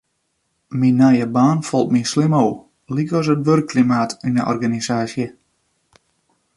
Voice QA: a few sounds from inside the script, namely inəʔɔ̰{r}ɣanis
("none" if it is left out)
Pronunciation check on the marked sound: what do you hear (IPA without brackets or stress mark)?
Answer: r